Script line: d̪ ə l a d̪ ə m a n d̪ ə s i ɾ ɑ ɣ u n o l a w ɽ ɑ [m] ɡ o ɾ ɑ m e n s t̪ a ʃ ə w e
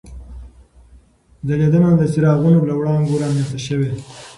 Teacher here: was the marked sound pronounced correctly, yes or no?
no